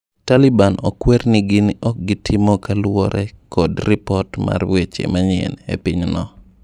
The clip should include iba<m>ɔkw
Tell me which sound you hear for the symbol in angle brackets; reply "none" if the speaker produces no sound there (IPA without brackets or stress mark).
n